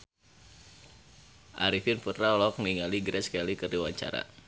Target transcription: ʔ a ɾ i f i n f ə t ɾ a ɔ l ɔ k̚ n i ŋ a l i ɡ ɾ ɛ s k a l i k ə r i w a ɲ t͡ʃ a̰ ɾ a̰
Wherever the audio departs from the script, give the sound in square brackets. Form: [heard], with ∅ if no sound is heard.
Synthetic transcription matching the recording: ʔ a ɾ i f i n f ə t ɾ a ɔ l ɔ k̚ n i ŋ a l i ɡ ɾ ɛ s k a l i k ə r i w a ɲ t͡ʃ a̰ ɾ a̰